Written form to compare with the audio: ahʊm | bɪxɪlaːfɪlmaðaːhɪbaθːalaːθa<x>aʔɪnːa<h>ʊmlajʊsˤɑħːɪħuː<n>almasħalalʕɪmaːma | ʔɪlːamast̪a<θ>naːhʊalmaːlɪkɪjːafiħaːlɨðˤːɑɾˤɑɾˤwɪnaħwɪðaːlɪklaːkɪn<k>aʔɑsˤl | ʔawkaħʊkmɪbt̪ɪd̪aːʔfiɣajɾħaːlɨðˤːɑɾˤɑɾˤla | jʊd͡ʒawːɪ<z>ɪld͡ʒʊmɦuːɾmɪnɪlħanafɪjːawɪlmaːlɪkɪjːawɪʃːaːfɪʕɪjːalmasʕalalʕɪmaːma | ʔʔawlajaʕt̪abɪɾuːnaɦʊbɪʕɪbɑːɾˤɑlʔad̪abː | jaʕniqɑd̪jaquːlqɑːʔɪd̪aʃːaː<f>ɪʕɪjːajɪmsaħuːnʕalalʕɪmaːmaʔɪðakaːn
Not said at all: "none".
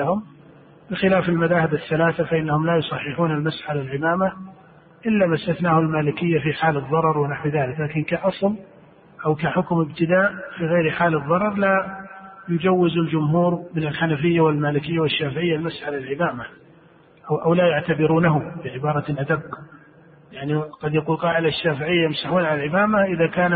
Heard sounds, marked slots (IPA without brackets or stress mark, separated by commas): f, h, n, θ, k, z, f